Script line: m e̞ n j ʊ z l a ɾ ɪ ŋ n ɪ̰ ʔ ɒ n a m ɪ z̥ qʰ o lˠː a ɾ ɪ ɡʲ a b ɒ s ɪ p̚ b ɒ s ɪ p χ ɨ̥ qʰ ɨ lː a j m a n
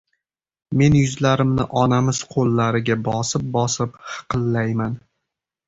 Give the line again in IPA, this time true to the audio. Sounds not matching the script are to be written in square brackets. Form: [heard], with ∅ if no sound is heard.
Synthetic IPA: m e̞ n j ʊ z l a ɾ ɪ [m] n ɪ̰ ʔ ɒ n a m ɪ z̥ qʰ o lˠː a ɾ ɪ ɡʲ a b ɒ s ɪ p̚ b ɒ s ɪ p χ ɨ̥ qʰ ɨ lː a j m a n